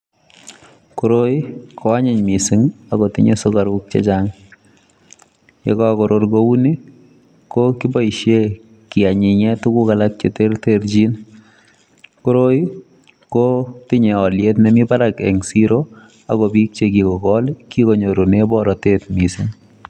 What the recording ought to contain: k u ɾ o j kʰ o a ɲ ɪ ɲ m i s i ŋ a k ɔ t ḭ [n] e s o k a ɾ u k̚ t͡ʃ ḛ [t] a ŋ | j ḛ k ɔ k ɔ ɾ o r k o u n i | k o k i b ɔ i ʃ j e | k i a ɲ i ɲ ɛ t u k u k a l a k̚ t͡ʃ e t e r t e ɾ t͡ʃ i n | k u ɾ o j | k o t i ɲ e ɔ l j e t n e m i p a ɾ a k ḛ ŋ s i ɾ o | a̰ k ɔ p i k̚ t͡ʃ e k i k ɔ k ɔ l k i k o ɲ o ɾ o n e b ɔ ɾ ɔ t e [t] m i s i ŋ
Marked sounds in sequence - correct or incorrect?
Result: incorrect: ɲ, incorrect: t͡ʃ, correct

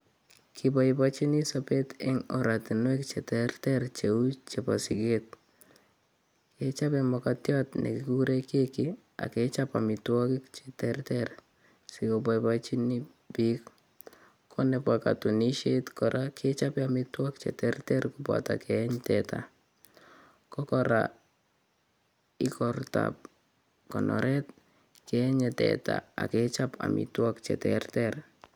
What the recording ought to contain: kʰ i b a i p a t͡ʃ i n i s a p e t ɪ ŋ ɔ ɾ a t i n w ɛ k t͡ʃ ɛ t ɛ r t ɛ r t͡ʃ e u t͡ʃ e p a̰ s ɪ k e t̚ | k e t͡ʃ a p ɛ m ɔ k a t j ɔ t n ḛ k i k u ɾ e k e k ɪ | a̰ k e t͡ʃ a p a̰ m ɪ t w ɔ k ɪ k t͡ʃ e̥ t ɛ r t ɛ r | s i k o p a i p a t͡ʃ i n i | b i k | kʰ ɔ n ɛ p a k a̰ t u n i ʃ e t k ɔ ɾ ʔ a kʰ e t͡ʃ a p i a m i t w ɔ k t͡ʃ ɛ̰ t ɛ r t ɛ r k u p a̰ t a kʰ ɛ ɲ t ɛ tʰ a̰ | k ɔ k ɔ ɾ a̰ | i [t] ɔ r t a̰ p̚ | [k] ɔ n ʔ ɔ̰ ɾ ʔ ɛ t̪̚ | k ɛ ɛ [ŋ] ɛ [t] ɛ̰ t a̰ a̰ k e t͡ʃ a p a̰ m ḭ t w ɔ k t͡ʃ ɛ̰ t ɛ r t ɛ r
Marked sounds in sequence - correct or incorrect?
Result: incorrect: k, correct, incorrect: ɲ, correct

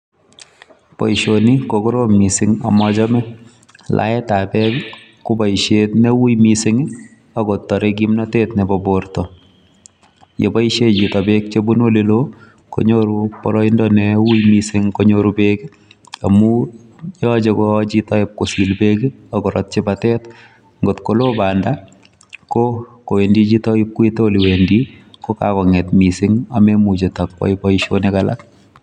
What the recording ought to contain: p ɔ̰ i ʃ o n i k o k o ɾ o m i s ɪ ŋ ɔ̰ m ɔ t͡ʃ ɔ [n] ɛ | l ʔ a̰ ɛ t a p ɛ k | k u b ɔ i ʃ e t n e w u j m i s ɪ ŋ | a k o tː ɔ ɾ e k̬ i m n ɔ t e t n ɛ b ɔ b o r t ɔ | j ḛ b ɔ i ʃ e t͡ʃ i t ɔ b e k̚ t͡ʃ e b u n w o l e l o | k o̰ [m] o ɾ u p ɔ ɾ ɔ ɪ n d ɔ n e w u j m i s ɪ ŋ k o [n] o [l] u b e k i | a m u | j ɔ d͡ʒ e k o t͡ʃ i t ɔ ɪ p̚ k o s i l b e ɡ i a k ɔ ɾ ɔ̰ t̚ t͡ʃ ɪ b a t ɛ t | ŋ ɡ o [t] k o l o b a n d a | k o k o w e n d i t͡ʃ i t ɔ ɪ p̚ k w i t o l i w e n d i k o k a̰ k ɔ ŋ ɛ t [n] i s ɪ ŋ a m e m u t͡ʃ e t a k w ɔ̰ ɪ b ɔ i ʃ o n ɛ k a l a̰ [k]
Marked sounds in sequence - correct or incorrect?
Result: incorrect: m, incorrect: ɲ, incorrect: ɲ, incorrect: ɾ, correct, incorrect: m, correct

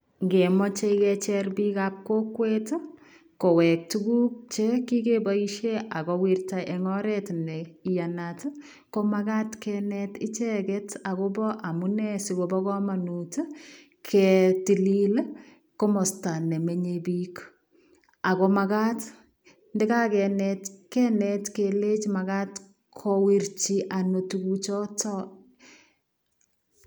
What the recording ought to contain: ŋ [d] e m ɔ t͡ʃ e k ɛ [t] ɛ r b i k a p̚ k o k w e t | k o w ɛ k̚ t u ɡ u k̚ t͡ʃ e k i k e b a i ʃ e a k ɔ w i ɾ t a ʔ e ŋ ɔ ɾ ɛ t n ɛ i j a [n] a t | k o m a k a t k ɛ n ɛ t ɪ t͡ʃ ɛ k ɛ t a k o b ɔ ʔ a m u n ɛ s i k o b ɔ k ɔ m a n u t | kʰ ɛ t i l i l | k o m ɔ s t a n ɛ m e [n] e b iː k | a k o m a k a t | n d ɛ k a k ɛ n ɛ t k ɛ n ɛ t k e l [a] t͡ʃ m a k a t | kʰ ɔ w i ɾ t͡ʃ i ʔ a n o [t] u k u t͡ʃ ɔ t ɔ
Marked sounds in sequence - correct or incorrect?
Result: incorrect: ɡ, incorrect: t͡ʃ, correct, incorrect: ɲ, incorrect: e, correct

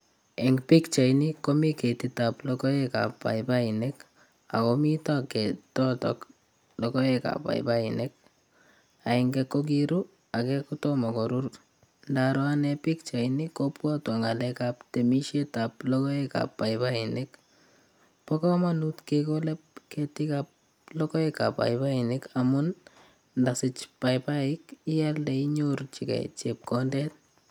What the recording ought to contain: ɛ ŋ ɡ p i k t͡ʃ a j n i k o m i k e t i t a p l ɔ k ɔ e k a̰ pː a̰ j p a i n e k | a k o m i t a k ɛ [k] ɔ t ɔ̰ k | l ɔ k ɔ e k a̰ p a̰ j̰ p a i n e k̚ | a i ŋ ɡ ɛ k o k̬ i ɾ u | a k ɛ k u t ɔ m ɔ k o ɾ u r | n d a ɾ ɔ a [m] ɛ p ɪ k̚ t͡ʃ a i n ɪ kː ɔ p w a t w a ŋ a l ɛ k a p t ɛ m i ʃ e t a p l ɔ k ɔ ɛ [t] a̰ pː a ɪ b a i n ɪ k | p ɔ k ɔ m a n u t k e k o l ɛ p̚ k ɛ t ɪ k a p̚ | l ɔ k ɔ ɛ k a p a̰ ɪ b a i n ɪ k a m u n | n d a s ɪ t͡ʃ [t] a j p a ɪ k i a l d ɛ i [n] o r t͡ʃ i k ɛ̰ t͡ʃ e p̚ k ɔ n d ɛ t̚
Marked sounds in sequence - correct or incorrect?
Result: incorrect: t, incorrect: n, incorrect: k, incorrect: p, incorrect: ɲ

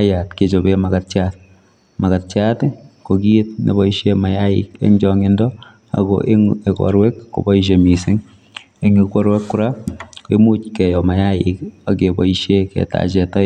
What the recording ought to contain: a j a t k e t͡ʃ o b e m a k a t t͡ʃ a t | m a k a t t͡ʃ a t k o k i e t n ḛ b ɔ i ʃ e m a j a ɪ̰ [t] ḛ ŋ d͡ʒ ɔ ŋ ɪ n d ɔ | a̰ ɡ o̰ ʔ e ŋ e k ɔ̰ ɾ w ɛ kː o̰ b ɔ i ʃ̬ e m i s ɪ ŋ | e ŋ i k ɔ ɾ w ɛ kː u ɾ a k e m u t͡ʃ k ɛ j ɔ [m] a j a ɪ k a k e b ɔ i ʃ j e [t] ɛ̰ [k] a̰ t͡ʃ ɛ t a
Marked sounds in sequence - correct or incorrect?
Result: incorrect: k, correct, incorrect: k, incorrect: t

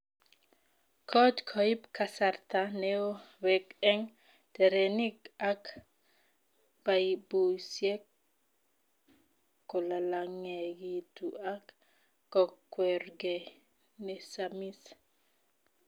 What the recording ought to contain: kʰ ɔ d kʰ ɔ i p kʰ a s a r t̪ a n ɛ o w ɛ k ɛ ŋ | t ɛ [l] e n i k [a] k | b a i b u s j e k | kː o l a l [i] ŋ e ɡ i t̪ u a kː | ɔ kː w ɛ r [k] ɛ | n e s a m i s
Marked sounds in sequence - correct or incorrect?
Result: incorrect: ɾ, correct, incorrect: a, incorrect: ɡ

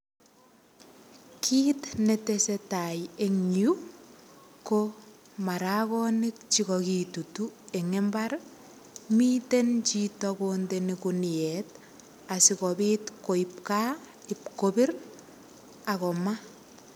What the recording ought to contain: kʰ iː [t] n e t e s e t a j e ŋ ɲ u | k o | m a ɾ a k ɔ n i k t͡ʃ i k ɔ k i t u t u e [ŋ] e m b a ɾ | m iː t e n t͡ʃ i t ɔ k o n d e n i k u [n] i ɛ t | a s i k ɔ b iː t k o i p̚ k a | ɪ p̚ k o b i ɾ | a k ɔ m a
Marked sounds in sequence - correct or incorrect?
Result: correct, correct, correct

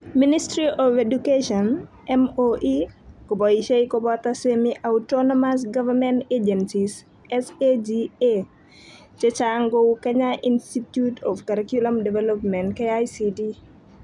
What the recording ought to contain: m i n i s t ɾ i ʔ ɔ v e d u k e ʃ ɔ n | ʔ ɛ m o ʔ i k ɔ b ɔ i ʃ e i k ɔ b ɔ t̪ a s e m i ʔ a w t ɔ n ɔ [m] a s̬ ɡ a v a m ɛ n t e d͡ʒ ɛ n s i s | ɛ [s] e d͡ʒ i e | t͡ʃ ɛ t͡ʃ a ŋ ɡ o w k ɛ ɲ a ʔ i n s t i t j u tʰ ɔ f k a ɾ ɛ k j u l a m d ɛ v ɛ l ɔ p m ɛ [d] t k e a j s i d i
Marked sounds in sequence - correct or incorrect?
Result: correct, correct, incorrect: n

